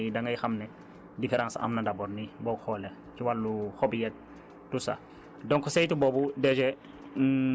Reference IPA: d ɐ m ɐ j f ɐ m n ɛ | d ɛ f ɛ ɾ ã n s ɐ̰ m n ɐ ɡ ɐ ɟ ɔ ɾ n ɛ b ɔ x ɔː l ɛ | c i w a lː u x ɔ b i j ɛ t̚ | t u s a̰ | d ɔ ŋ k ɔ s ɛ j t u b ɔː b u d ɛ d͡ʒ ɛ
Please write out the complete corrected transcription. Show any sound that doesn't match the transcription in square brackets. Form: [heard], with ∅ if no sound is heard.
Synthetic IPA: d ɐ [ŋ] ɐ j [x] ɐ m n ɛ | d [i] f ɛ ɾ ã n s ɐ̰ m n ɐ [d] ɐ [b] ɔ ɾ n [i] b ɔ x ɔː l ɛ | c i w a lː u x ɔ b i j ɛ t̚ | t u s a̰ | d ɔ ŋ k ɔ s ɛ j t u b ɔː b u d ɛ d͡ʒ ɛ